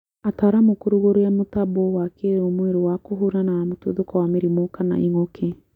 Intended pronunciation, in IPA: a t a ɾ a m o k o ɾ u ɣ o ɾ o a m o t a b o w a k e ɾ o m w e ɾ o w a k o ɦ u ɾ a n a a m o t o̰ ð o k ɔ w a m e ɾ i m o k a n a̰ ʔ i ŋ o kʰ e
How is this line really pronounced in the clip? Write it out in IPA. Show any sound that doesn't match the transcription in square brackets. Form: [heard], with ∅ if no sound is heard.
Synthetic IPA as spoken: a t a ɾ a m o k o ɾ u ɣ o ɾ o a m o t a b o w a k e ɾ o m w e ɾ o w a k o ɦ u ɾ a n a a m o t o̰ ð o k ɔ w a m e ɾ i m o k a n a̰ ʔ i ŋ o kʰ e